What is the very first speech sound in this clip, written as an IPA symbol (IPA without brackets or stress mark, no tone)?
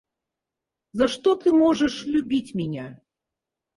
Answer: z